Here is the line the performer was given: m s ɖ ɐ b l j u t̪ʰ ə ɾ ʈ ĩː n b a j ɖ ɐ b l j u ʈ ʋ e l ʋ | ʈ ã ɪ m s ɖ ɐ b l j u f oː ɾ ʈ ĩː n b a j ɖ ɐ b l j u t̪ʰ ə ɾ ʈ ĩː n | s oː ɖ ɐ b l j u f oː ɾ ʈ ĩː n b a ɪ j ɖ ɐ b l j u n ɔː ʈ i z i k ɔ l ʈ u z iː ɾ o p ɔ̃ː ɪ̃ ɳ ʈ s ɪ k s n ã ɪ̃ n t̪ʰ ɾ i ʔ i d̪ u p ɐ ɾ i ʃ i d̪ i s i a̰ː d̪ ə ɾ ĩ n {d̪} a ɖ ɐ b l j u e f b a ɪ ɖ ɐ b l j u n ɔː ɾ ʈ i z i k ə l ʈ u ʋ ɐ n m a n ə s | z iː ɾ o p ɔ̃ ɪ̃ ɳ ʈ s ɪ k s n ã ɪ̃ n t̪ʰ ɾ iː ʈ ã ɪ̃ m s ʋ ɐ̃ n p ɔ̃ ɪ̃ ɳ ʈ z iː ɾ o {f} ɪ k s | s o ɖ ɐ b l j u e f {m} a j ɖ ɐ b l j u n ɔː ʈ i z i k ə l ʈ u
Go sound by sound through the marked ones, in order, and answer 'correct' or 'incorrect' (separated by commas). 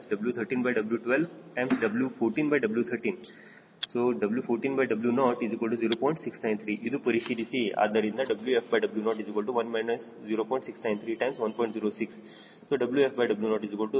correct, incorrect, incorrect